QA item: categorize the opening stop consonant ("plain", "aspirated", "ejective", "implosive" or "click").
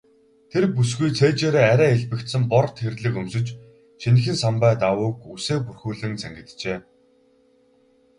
aspirated